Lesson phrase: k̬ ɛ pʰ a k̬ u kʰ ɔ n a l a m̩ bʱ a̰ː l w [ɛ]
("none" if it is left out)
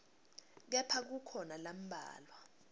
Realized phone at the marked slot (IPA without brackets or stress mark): a